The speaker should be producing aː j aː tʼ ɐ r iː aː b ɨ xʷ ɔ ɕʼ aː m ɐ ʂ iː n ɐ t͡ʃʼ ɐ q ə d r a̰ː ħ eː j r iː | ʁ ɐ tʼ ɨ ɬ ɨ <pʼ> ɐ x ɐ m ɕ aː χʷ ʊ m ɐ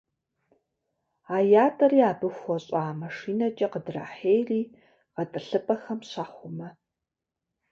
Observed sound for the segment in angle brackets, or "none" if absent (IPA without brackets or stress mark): pʼ